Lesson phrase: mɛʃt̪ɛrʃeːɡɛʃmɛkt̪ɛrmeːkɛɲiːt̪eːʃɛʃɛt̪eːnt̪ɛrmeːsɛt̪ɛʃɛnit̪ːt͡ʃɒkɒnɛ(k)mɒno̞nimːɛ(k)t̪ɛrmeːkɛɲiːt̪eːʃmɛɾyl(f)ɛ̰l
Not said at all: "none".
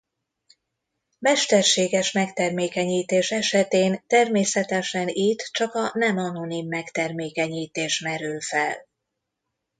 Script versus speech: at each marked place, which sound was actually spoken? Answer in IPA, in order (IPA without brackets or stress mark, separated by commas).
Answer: none, k, f